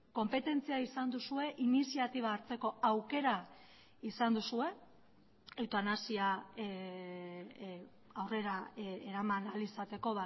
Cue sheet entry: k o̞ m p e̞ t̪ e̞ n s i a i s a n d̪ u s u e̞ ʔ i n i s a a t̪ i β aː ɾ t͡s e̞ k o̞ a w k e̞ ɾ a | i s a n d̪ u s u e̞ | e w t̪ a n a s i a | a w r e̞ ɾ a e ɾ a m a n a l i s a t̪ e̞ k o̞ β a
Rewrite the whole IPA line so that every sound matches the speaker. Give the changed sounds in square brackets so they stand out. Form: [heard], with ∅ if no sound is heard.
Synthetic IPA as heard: k o̞ m p e̞ t̪ e̞ n [t͡s] i a i s a n d̪ u s u e̞ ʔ i n i s [i] a t̪ i β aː ɾ t͡s e̞ k o̞ a w k e̞ ɾ a | i s a n d̪ u s u e̞ | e w t̪ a n a s i a | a w r e̞ ɾ a e ɾ a m a n a l i s a t̪ e̞ k o̞ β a

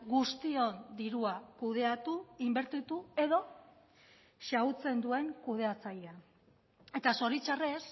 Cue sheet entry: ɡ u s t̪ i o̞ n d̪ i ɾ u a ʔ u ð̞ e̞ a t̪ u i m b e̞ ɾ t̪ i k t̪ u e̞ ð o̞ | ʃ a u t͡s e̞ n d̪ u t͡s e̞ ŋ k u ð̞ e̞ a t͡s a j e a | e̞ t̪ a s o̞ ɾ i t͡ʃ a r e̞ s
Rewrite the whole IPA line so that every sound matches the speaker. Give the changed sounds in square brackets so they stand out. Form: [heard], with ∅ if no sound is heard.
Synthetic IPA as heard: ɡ u s t̪ i o̞ n d̪ i ɾ u a [k] u ð̞ e̞ a t̪ u i m b e̞ ɾ t̪ i [∅] t̪ u e̞ ð o̞ | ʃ a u t͡s e̞ n d̪ u [∅] e̞ ŋ k u ð̞ e̞ a t͡s a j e a | e̞ t̪ a s o̞ ɾ i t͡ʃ a r e̞ s

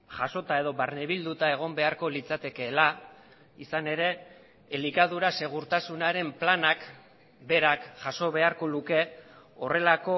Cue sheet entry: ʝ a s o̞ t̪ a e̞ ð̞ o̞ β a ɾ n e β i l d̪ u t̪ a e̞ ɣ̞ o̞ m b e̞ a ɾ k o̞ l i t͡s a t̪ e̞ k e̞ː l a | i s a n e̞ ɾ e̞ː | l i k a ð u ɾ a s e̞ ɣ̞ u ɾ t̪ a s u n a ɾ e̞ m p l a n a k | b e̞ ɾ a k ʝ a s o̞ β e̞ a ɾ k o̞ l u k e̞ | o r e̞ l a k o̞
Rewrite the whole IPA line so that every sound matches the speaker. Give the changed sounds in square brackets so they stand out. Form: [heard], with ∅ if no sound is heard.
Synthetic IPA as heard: ʝ a s o̞ t̪ a e̞ ð̞ o̞ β a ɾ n e β i l d̪ u t̪ a e̞ ɣ̞ o̞ m b e̞ a ɾ k o̞ l i t͡s a t̪ e̞ k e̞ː l a | i s a n e̞ ɾ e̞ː | l i k a ð u ɾ a s e̞ ɣ̞ u ɾ t̪ a s u n a ɾ e̞ m p l a n a k | b e̞ ɾ a k ʝ a s o̞ β e̞ a ɾ k o̞ l u k e̞ | o r e̞ l a k o̞

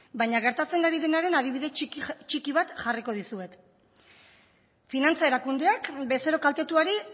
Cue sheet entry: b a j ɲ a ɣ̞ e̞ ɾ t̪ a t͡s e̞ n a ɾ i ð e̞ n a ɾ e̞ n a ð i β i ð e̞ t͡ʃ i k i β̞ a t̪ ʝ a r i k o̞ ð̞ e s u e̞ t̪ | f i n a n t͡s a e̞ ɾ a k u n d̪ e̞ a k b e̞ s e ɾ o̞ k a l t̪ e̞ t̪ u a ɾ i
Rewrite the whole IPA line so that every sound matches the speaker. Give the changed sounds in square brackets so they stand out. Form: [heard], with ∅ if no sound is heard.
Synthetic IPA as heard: b a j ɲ a ɣ̞ e̞ ɾ t̪ a t͡s e̞ n a ɾ i ð e̞ n a ɾ e̞ n a ð i β i ð e̞ t͡ʃ i k i β̞ a t̪ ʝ a r i k o̞ ð̞ [i] s u e̞ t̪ | f i n a n t͡s a e̞ ɾ a k u n d̪ e̞ a k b e̞ s e ɾ o̞ k a l t̪ e̞ t̪ u a ɾ i

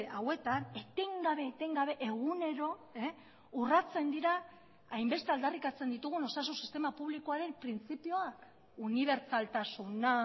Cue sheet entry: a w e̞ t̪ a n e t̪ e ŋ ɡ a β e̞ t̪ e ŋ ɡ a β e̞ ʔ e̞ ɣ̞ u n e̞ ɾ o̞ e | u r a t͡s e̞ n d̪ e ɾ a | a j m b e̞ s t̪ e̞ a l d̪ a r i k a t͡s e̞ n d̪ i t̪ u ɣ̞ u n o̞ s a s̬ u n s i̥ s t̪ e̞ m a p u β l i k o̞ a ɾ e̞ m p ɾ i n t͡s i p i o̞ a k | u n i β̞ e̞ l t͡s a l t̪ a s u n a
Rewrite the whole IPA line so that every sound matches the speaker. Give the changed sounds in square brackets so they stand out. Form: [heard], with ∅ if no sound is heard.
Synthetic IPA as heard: a w e̞ t̪ a n e t̪ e ŋ ɡ a β e̞ t̪ e ŋ ɡ a β e̞ ʔ e̞ ɣ̞ u n e̞ ɾ o̞ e | u r a t͡s e̞ n d̪ [i] ɾ a | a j m b e̞ s t̪ e̞ a l d̪ a r i k a t͡s e̞ n d̪ i t̪ u ɣ̞ u n o̞ s a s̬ u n s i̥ s t̪ e̞ m a p u β l i k o̞ a ɾ e̞ m p ɾ i n t͡s i p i o̞ a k | u n i β̞ e̞ [ɾ] t͡s a l t̪ a s u n a

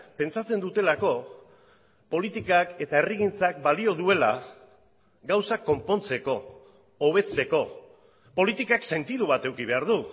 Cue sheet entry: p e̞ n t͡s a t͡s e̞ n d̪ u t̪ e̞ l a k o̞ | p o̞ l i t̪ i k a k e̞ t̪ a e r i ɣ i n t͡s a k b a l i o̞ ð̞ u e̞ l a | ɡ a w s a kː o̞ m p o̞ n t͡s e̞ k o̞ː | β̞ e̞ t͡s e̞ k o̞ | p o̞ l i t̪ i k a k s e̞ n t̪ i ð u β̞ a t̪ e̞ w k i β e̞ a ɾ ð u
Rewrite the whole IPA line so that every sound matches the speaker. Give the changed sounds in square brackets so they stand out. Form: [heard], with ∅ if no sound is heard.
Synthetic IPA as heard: p e̞ n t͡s a t͡s e̞ n d̪ u t̪ e̞ l a k o̞ | p o̞ l i t̪ i k a k e̞ t̪ a e r i ɣ i n t͡s a k b a l i o̞ ð̞ u e̞ l a | ɡ a w s a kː o̞ m p o̞ n t͡s e̞ k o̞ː | β̞ e̞ t͡s e̞ k o̞ | p o̞ l i t̪ i k a k s e̞ n t̪ i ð u β̞ a t̪ e̞ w k i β e̞ a ɾ ð u

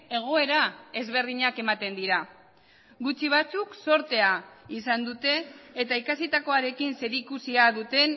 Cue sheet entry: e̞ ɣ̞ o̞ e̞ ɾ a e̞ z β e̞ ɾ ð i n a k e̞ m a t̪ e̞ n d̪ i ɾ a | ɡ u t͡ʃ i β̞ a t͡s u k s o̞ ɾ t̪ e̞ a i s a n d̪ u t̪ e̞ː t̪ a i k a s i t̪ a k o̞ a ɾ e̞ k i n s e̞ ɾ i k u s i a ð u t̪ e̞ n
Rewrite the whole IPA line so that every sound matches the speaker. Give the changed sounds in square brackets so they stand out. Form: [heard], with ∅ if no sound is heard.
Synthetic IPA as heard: e̞ ɣ̞ o̞ e̞ ɾ a e̞ z β e̞ ɾ ð i [ɲ] a k e̞ m a t̪ e̞ n d̪ i ɾ a | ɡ u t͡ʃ i β̞ a t͡s u k s o̞ ɾ t̪ e̞ a i s a n d̪ u t̪ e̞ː t̪ a i k a s i t̪ a k o̞ a ɾ e̞ k i n s e̞ ɾ i k u s i a ð u t̪ e̞ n

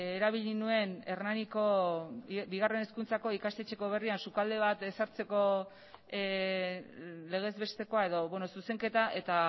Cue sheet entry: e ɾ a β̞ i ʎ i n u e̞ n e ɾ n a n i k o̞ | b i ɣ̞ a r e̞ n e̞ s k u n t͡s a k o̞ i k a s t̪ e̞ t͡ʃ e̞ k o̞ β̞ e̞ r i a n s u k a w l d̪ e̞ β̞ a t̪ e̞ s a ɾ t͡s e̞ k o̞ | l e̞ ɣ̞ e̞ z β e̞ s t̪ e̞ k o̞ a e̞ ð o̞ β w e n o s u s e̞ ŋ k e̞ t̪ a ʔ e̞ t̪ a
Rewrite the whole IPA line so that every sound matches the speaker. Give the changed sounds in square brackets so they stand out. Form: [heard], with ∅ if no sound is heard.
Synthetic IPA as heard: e ɾ a β̞ i ʎ i n u e̞ n e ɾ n a n i k o̞ | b i ɣ̞ a r e̞ n e̞ s k u n t͡s a k o̞ i k a s t̪ e̞ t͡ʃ e̞ k o̞ β̞ e̞ r i a n s u k a [∅] l d̪ e̞ β̞ a t̪ e̞ s a ɾ t͡s e̞ k o̞ | l e̞ ɣ̞ e̞ z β e̞ s t̪ e̞ k o̞ a e̞ ð o̞ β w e n o s u s e̞ ŋ k e̞ t̪ a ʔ e̞ t̪ a

